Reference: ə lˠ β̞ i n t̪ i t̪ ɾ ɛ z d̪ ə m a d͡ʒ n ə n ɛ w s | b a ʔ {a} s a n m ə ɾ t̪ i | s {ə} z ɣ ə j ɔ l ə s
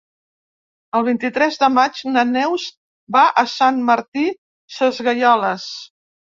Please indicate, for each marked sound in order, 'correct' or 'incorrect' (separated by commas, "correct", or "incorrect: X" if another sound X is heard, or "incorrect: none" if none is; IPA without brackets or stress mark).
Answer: incorrect: ə, correct